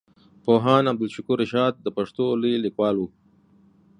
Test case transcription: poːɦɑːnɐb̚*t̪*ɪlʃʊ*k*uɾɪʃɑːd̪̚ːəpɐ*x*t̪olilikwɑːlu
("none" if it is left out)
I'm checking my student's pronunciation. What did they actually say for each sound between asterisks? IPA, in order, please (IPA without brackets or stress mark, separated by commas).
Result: d̪, k, ʂ